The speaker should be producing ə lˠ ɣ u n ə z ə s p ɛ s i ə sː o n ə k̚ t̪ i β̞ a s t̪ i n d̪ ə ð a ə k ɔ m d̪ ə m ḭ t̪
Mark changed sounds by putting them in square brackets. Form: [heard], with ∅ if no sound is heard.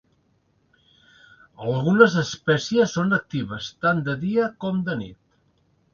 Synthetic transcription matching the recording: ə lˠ ɣ u n ə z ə s p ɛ s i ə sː o n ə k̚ t̪ i β̞ [ə] s t̪ [a] n d̪ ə ð [i] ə k ɔ m d̪ ə [n] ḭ t̪